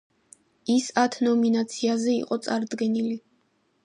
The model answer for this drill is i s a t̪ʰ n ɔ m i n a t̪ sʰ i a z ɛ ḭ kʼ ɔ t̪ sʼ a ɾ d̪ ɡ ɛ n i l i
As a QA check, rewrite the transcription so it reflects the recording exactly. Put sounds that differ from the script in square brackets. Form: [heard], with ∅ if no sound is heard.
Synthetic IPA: i s a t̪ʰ n ɔ m i n a t̪ sʰ i a z ɛ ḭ [qʼ] ɔ t̪ sʼ a ɾ d̪ ɡ ɛ n i l i